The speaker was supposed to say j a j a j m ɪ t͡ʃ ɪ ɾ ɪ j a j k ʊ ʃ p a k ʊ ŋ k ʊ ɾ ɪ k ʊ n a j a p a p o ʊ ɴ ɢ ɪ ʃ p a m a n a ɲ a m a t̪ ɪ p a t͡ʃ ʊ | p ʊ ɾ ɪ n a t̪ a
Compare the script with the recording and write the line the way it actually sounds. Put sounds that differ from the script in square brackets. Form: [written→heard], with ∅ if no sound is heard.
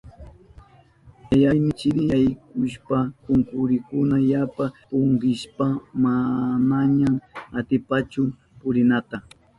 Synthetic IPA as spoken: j a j a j m ɪ t͡ʃ ɪ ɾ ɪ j a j k ʊ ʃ p a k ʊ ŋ k ʊ ɾ ɪ k ʊ n a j a p a p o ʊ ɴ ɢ ɪ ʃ p a m a n a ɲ a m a t̪ ɪ p a t͡ʃ ʊ | p ʊ ɾ ɪ n a t̪ a